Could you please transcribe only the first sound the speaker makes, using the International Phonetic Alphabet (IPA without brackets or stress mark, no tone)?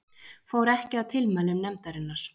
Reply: f